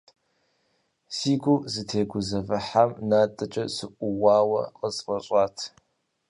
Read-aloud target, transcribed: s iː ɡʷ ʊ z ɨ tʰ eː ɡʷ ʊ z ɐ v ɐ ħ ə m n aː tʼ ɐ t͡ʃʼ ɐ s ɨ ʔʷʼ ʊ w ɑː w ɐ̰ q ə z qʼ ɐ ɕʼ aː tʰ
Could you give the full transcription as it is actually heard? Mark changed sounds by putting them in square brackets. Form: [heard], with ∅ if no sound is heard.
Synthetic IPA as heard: s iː ɡʷ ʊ z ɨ tʰ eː ɡʷ ʊ z ɐ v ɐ ħ [a] m n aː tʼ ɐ t͡ʃʼ ɐ s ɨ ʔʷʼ ʊ w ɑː w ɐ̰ q ə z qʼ ɐ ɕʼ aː tʰ